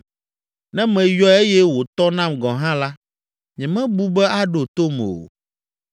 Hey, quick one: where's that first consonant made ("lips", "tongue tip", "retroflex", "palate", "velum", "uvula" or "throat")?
tongue tip